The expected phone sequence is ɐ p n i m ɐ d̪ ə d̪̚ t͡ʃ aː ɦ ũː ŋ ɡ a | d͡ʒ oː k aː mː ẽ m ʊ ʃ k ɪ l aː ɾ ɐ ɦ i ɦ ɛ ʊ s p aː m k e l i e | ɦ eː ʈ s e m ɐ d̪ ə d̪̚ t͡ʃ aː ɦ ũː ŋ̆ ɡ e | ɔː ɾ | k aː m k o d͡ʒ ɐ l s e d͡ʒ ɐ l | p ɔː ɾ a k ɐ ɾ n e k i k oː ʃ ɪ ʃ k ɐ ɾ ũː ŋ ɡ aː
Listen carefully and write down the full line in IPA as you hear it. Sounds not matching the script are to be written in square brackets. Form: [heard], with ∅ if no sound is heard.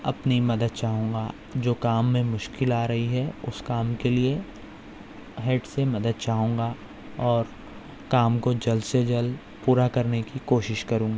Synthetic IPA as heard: ɐ p n i m ɐ d̪ ə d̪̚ t͡ʃ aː ɦ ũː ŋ ɡ a | d͡ʒ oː k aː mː ẽ m ʊ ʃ k ɪ l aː ɾ ɐ ɦ i ɦ ɛ ʊ s [k] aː m k e l i e | ɦ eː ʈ s e m ɐ d̪ ə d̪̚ t͡ʃ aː ɦ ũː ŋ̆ ɡ [a] | ɔː ɾ | k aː m k o d͡ʒ ɐ l s e d͡ʒ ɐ l | p [uː] ɾ a k ɐ ɾ n e k i k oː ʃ ɪ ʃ k ɐ ɾ ũː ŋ ɡ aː